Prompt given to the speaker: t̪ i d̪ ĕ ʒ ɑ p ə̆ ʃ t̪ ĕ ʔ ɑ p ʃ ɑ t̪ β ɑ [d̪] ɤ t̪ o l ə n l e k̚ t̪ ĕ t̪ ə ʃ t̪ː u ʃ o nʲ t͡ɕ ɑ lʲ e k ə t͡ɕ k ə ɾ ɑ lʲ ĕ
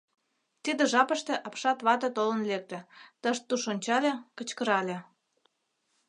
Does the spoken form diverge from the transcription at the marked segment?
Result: yes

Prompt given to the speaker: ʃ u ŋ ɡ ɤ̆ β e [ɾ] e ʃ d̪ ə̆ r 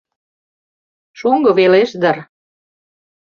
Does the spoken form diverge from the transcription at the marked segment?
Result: yes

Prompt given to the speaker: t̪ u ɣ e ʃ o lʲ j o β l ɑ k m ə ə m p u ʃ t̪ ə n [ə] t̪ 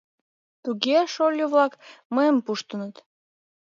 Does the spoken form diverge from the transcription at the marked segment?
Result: no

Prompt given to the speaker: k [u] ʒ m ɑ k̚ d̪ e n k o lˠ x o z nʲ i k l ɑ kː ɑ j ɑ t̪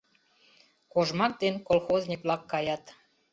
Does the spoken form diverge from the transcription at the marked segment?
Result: yes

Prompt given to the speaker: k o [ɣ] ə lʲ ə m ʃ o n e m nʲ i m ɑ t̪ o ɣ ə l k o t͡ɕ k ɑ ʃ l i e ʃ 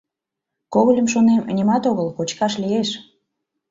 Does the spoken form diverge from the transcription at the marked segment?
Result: no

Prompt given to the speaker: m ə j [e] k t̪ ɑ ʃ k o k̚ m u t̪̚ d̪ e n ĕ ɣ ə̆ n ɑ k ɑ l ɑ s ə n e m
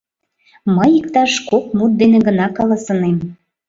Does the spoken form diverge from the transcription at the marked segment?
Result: yes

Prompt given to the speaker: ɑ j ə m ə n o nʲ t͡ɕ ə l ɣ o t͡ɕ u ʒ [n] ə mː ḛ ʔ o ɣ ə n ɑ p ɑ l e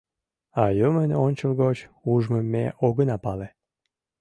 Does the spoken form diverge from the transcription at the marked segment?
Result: yes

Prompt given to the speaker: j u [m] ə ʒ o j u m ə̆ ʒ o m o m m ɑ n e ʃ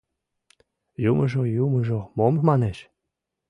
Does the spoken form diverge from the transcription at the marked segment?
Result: no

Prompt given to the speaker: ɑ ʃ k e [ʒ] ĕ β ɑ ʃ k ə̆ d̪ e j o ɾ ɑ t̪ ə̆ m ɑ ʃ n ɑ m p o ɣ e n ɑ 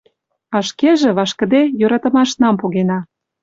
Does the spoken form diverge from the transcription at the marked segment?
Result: no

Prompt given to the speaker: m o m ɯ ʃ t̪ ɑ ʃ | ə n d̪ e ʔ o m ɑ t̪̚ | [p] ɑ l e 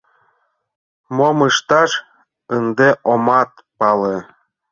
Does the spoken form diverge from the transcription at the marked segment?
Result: no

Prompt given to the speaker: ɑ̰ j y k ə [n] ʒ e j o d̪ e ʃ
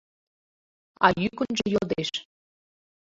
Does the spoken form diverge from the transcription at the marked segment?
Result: no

